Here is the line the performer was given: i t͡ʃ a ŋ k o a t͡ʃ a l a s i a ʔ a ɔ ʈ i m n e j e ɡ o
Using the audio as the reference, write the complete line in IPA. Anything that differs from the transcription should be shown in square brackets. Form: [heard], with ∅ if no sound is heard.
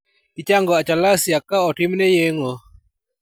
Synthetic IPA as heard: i t͡ʃ a ŋ [ɡ] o a t͡ʃ a l a s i a [k] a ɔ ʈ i m n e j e [ŋ] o